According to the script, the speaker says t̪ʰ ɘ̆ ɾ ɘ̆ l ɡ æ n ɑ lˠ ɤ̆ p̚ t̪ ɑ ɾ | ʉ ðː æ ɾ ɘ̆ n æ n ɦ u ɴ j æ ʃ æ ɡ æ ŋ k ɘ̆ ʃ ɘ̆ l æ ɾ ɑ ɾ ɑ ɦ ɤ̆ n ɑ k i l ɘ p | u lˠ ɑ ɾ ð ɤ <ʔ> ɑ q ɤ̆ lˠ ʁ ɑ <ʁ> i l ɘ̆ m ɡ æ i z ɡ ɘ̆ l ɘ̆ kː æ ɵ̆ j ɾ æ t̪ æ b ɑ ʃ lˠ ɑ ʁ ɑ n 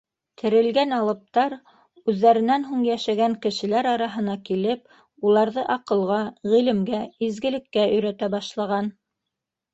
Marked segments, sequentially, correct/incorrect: correct, correct

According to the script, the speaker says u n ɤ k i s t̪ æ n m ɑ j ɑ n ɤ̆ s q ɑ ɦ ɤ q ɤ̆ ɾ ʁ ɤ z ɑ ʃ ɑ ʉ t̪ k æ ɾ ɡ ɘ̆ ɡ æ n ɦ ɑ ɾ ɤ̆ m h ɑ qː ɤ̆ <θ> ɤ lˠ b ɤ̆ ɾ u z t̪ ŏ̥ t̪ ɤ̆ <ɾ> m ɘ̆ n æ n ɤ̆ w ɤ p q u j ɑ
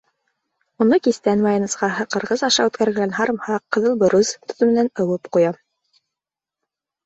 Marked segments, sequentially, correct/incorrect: incorrect: ð, incorrect: none

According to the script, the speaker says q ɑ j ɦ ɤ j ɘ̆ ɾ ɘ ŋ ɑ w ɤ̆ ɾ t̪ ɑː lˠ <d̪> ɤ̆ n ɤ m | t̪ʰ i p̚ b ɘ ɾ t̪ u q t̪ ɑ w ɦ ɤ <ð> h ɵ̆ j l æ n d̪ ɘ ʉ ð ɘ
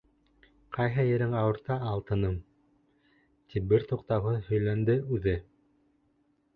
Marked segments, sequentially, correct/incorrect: incorrect: t̪, correct

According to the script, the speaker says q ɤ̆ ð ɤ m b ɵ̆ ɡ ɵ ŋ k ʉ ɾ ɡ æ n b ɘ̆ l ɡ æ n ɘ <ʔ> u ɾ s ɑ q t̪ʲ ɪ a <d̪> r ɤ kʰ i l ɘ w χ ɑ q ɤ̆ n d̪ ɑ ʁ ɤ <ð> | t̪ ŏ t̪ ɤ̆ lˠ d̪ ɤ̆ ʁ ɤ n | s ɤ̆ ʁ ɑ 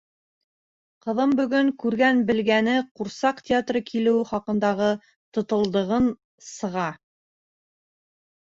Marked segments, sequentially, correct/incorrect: incorrect: q, incorrect: t̪, incorrect: none

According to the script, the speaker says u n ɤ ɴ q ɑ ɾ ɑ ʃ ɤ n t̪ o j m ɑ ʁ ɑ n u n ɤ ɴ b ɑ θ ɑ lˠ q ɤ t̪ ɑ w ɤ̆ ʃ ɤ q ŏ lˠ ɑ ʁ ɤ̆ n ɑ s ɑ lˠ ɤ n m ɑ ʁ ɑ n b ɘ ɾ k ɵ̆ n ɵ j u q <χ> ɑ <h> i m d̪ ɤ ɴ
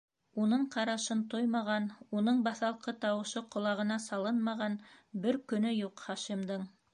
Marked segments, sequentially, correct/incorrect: correct, incorrect: ʃ

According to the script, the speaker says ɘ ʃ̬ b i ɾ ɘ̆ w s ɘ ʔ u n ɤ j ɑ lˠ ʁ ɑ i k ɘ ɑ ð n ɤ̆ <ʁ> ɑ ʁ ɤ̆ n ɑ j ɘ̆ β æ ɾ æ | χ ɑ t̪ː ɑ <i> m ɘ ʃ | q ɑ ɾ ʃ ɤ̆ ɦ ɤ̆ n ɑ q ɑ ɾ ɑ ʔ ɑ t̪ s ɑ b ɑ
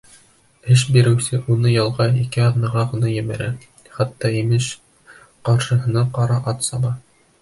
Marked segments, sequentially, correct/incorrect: correct, correct

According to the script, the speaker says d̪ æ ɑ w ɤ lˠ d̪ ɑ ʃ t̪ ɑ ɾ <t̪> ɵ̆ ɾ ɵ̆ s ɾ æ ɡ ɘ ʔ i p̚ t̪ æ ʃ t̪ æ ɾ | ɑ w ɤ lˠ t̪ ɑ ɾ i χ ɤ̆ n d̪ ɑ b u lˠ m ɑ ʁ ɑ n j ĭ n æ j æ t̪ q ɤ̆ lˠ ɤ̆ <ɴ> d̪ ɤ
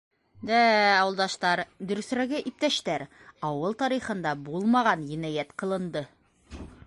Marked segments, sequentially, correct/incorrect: incorrect: d̪, incorrect: n

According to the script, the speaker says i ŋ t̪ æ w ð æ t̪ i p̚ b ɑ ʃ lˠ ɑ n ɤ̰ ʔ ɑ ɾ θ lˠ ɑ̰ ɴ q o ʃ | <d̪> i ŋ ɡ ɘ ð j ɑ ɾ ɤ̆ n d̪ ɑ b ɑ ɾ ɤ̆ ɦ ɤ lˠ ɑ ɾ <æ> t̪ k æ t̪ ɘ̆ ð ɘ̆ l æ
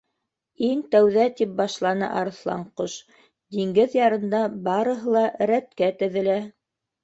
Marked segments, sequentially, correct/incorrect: correct, correct

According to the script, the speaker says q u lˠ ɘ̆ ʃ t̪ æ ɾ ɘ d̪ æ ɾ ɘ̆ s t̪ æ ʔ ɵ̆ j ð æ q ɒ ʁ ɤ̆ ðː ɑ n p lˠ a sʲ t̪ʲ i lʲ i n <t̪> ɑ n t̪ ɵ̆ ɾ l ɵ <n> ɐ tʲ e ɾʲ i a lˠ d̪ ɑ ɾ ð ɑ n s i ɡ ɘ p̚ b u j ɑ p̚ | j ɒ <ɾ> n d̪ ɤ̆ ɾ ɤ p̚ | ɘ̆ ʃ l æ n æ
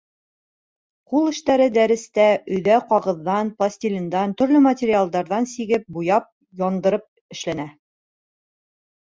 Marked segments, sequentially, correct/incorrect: incorrect: d̪, incorrect: m, incorrect: none

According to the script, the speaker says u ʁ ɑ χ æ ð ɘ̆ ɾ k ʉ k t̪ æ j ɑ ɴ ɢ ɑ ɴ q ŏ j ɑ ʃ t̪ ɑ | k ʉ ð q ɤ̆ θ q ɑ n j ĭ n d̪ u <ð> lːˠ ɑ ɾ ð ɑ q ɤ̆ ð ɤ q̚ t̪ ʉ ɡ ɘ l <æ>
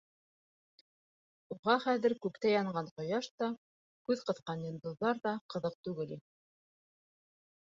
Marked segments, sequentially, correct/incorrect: correct, incorrect: i

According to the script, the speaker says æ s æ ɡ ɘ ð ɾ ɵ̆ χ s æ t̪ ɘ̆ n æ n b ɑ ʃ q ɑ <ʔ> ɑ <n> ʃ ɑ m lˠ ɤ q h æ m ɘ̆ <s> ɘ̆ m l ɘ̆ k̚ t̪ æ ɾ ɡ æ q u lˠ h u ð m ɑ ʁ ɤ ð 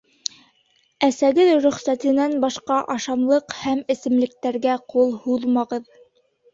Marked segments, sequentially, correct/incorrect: correct, incorrect: none, correct

